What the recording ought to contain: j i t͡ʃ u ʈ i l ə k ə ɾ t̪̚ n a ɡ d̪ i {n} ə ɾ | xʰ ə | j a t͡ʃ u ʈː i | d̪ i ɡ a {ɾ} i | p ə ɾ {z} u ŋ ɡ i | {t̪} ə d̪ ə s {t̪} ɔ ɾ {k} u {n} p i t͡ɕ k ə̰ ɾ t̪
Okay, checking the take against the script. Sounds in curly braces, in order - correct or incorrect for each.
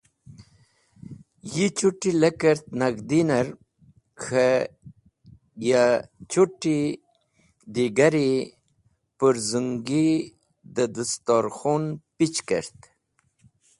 correct, correct, correct, incorrect: d̪, correct, incorrect: x, correct

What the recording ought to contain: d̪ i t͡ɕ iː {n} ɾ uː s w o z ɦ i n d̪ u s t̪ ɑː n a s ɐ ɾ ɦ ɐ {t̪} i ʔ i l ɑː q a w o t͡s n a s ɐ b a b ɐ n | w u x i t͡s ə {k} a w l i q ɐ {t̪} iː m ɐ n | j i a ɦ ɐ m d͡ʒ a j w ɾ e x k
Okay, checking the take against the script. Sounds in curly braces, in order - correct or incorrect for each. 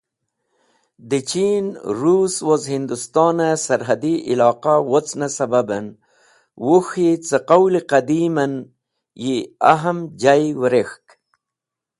correct, incorrect: d̪, incorrect: q, incorrect: d̪

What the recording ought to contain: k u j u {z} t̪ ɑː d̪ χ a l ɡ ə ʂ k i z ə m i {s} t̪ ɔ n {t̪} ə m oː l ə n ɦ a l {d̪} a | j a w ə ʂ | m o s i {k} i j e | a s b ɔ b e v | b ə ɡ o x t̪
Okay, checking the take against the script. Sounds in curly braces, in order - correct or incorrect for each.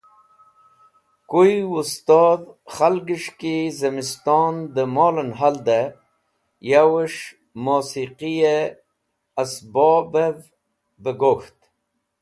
incorrect: s, correct, incorrect: d̪, correct, incorrect: q

